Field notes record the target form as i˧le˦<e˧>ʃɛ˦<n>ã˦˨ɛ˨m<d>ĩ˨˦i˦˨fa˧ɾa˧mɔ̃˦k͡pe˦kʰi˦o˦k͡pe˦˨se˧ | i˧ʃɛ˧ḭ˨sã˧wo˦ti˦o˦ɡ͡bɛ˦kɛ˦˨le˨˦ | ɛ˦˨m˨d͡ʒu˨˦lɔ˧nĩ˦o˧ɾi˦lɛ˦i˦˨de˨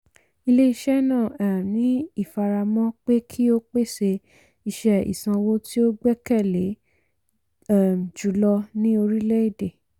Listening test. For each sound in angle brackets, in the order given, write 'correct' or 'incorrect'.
incorrect: i˧, correct, incorrect: n

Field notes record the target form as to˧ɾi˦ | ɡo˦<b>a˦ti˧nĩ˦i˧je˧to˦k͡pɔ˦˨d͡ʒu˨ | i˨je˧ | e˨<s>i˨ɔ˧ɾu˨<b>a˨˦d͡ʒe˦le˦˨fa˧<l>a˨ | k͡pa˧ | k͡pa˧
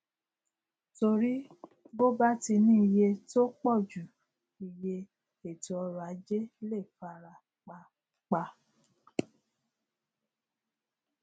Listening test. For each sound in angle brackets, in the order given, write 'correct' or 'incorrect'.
correct, incorrect: t, incorrect: none, incorrect: ɾ

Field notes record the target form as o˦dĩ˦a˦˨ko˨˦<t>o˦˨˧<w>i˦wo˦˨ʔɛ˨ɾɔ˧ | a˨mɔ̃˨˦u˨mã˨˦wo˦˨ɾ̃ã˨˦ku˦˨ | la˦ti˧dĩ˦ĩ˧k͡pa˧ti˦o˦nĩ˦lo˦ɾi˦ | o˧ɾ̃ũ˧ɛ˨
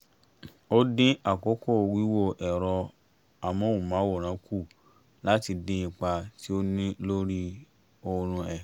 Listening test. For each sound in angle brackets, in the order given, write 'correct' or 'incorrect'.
incorrect: k, correct

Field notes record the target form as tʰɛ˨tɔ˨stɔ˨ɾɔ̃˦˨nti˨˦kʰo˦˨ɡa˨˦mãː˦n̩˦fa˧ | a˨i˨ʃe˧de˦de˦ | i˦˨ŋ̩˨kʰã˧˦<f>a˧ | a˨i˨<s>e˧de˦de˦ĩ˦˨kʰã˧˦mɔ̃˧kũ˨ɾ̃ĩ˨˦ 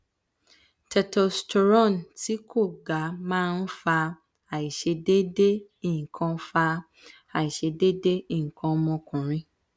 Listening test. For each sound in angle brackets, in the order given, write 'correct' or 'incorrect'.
correct, incorrect: ʃ

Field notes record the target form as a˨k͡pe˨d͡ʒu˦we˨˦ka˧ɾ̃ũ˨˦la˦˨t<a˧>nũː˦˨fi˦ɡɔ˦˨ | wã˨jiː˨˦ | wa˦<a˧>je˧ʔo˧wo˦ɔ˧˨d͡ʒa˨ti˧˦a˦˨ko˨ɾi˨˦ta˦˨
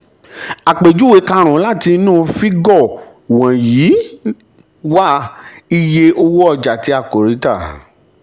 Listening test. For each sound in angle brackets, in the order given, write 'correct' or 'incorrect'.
incorrect: i˧, incorrect: i˧

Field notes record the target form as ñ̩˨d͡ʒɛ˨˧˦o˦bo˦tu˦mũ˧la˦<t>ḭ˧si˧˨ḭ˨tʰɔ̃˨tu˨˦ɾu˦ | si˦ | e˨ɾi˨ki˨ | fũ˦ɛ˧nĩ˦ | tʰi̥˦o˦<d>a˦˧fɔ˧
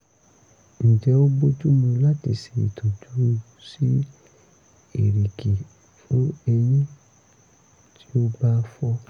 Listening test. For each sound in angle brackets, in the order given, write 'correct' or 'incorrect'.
correct, incorrect: b

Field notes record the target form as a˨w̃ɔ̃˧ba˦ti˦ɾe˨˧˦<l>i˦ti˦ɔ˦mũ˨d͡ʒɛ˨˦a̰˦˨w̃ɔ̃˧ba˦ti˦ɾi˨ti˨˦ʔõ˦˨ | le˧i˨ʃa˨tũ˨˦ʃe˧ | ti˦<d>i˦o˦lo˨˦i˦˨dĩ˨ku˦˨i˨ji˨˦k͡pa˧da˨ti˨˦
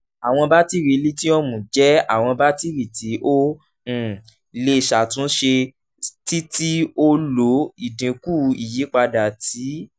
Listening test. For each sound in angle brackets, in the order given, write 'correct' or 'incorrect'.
correct, incorrect: t

